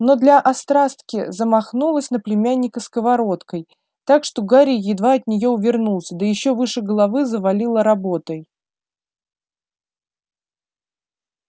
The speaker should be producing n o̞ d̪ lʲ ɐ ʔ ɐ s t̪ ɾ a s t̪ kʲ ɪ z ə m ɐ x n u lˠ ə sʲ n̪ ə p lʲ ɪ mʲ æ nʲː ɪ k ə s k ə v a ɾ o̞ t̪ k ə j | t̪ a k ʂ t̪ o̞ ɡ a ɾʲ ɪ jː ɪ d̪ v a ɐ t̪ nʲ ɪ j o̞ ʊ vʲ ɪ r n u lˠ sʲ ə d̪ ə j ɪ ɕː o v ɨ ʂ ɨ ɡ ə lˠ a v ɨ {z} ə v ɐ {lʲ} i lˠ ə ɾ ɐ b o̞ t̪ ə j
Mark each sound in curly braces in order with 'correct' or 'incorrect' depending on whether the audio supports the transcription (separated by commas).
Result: correct, correct